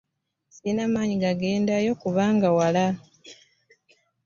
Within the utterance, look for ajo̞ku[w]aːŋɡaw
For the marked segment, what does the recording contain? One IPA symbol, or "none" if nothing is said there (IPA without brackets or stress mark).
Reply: β